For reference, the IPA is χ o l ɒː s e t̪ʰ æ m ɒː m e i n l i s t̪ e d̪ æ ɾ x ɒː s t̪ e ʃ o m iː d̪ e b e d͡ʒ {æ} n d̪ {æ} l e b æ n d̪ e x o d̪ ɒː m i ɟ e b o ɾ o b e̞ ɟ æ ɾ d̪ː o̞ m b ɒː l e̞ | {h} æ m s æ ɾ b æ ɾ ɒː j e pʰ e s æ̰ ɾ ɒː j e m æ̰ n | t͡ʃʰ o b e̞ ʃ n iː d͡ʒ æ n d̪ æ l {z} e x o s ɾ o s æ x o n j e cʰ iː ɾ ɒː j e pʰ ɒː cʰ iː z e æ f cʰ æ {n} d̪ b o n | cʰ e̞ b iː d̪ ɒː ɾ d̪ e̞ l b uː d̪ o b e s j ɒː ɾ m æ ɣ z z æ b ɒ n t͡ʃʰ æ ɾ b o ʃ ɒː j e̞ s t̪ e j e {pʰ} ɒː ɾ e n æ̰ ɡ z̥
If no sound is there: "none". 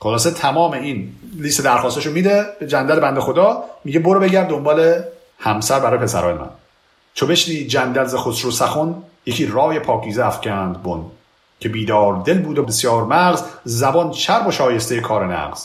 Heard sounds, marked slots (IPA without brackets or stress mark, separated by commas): æ, æ, h, z, n, kʰ